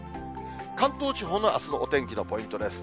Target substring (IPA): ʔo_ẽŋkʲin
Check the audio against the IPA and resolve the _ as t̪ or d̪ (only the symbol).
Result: t̪